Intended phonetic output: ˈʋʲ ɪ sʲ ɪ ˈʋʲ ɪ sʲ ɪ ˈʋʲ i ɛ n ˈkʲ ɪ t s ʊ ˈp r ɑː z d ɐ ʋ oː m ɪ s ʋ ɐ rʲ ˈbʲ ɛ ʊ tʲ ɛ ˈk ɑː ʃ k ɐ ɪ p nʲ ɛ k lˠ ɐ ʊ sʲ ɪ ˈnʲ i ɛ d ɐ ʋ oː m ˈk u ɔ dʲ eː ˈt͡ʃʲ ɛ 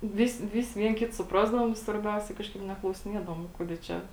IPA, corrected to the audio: ˈʋʲ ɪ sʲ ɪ ˈʋʲ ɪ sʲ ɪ ˈʋʲ i ɛ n ˈkʲ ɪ t s ʊ ˈp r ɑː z d ɐ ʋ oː m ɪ s ʋ ɐ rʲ ˈbʲ ɛ ʊ sʲ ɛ ˈk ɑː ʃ k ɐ ɪ p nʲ ɛ k lˠ ɐ ʊ sʲ ɪ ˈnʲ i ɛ d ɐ ʋ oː m ˈk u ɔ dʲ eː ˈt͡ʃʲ ɛ